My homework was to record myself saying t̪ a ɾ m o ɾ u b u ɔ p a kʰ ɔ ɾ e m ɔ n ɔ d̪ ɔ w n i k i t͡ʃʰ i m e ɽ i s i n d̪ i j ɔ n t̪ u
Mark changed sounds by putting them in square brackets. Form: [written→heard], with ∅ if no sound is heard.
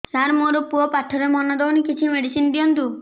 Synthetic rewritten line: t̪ a ɾ m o ɾ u [b→p] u ɔ p a [kʰ→ʈʰ] ɔ ɾ e m ɔ n ɔ d̪ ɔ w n i k i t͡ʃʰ i m e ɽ i s i n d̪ i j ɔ n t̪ u